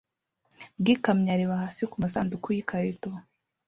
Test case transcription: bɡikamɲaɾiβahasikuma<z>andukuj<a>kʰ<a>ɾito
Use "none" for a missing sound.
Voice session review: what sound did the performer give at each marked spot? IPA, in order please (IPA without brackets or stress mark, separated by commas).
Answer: s, i, a